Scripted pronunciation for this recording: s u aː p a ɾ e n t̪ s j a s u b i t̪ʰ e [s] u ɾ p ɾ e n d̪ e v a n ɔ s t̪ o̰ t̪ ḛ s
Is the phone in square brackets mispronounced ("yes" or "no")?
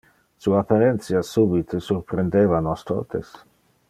no